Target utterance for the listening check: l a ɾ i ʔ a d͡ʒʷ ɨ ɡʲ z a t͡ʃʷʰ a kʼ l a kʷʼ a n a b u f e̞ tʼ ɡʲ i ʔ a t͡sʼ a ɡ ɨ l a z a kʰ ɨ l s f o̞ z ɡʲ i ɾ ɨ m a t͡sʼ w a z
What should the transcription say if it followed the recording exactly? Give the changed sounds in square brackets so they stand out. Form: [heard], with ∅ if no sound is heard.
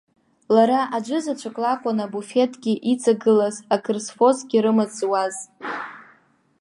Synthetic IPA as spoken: l a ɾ [a] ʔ a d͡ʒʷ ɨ [∅] z a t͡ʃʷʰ a kʼ l a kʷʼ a n a b u f e̞ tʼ ɡʲ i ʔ [i] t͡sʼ a ɡ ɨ l a z a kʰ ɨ [r] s f o̞ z ɡʲ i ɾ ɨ m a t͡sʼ w a z